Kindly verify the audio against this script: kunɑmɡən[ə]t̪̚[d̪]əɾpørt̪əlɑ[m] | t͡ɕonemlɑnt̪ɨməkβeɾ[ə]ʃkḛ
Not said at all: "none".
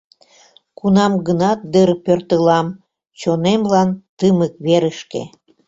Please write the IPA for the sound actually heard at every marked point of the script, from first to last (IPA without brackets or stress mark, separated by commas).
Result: ɑ, d̪, m, ə